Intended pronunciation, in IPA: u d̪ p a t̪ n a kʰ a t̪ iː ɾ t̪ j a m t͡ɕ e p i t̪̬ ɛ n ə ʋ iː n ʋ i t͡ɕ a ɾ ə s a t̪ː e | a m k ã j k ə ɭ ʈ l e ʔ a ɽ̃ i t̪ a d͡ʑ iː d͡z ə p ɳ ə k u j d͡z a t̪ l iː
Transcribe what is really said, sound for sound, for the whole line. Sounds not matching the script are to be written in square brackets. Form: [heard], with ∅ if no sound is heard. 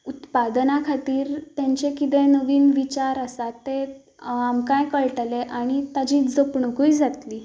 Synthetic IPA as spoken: u [t̪] p a [d̪] n a kʰ a t̪ iː ɾ t̪ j a [ɲ] t͡ɕ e [k] i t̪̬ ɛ n ə ʋ iː n ʋ i t͡ɕ a ɾ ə s a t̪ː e | a m k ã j k ə ɭ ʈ l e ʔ a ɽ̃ i t̪ a d͡ʑ iː d͡z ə p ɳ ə k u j d͡z a t̪ l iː